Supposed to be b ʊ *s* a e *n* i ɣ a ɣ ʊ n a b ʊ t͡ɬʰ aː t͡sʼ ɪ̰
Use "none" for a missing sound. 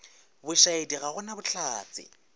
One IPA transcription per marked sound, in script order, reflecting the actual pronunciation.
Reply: ʃ, d

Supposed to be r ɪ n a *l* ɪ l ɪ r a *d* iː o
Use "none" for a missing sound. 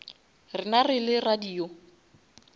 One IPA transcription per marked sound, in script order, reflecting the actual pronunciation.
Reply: r, d

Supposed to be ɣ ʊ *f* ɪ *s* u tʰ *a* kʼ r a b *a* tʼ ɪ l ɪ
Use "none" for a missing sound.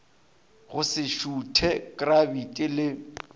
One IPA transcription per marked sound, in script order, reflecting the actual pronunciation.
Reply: s, ʃ, ɛ, i

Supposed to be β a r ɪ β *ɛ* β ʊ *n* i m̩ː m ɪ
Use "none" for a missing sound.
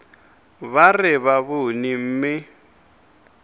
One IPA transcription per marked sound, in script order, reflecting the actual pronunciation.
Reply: a, n

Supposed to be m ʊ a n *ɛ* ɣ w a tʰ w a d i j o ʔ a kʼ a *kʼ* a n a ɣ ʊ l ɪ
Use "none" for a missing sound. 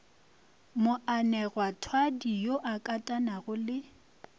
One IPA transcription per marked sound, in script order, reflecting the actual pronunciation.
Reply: ɛ, tʼ

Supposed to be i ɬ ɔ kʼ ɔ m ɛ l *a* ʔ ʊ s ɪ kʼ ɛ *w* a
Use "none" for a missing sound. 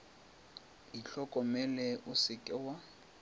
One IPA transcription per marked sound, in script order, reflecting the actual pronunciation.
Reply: ɛ, w

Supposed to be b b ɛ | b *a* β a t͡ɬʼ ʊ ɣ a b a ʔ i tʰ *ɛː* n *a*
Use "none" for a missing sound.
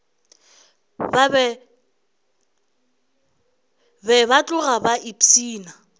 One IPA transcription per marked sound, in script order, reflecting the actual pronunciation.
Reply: ɛ, iː, a

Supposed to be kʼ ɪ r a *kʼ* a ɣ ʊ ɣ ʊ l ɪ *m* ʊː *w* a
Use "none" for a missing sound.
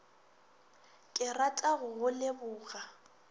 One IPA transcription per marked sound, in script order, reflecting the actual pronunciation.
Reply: tʼ, b, ɣ

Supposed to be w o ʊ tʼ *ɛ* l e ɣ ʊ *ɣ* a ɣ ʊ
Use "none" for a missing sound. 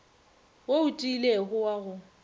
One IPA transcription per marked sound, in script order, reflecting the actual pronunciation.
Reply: i, w

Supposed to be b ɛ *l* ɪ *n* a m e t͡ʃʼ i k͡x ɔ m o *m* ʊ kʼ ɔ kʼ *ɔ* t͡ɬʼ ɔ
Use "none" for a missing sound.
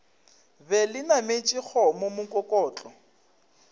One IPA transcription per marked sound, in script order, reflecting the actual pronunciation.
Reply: l, n, m, ɔː

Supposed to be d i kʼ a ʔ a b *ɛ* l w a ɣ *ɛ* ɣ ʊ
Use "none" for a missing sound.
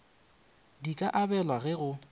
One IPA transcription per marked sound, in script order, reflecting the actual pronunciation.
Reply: ɛ, ɛ

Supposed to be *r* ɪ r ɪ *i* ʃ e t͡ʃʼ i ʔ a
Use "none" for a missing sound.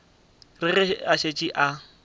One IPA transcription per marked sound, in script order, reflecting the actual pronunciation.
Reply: r, a

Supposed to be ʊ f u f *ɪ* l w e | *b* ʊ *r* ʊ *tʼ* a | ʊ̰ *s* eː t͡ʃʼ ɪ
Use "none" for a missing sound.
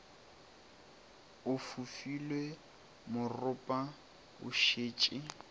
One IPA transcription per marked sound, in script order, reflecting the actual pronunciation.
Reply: i, m, r, pʼ, ʃ

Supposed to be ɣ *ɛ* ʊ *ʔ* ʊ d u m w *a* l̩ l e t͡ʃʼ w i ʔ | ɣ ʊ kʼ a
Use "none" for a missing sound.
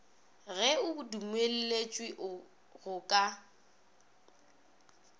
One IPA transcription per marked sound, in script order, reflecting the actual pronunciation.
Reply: ɛ, none, e

